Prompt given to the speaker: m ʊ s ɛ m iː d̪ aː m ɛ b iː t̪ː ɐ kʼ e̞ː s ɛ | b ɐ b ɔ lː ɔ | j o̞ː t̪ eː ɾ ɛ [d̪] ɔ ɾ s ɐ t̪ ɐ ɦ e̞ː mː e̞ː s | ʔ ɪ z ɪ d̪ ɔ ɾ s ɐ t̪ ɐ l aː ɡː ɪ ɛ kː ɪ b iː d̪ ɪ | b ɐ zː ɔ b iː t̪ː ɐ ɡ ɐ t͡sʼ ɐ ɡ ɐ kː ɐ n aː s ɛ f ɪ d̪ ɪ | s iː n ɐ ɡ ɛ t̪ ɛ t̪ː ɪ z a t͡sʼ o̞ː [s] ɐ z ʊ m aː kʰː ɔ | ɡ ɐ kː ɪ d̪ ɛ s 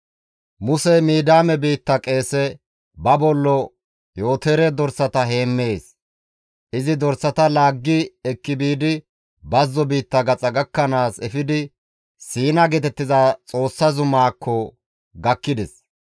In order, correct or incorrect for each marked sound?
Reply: correct, incorrect

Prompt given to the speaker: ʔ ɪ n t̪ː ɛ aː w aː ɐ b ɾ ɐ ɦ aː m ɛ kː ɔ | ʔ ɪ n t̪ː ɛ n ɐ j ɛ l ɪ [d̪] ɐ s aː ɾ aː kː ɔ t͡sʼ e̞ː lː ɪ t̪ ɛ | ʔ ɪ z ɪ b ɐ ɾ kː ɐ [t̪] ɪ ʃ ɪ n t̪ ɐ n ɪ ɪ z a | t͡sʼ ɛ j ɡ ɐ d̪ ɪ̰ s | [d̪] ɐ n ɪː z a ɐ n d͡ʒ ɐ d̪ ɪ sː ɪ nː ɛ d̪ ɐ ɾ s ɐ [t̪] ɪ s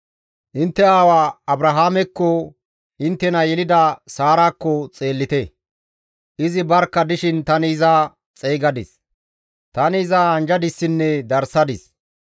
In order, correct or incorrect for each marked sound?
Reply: correct, incorrect, incorrect, incorrect

